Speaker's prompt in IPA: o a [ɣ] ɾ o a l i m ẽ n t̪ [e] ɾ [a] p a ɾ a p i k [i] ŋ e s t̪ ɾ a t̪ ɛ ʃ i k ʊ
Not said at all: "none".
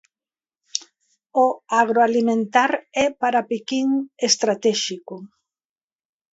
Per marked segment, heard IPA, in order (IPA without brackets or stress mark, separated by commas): ɣ, a, ɛ, i